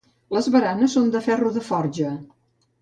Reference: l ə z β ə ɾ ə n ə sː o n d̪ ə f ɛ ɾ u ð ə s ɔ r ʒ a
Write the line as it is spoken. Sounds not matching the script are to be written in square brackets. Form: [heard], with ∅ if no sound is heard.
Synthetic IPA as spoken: l ə z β ə ɾ [a] n ə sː o n d̪ ə f ɛ [r] u ð ə [f] ɔ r ʒ [ə]